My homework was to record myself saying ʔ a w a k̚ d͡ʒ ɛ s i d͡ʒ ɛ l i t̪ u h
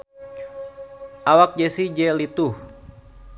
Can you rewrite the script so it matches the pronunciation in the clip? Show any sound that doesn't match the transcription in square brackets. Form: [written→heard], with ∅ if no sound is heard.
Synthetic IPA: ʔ a w a k̚ d͡ʒ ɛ s i d͡ʒ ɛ l i t̪ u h